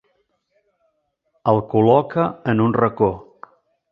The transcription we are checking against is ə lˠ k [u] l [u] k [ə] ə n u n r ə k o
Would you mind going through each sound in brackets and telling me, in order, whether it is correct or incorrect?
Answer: correct, incorrect: ɔ, correct

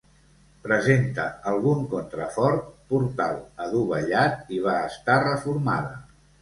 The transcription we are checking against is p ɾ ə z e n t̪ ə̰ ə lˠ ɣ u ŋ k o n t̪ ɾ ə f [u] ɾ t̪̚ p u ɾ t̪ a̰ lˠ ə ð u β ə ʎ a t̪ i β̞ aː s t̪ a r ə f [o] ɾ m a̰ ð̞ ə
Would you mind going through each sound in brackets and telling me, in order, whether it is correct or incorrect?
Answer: incorrect: ɔ, incorrect: u

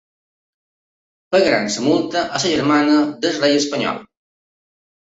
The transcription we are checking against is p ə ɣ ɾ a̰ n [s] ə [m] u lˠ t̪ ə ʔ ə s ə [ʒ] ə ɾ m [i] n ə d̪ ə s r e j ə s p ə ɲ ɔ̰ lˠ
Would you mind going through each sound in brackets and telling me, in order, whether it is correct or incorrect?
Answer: correct, correct, correct, incorrect: a

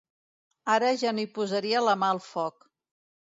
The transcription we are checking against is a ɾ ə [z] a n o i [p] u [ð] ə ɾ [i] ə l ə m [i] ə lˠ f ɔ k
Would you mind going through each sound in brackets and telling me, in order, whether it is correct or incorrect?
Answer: incorrect: ʒ, correct, incorrect: z, correct, incorrect: a

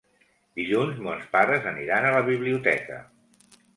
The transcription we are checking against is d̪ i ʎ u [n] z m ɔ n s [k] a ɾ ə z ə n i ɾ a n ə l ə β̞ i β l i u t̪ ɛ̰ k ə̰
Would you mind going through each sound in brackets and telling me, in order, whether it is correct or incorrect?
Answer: correct, incorrect: p

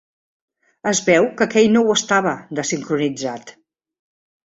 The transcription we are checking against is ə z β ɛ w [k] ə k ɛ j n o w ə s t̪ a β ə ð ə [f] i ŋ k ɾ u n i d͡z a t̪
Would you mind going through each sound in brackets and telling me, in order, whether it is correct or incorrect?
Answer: correct, incorrect: s

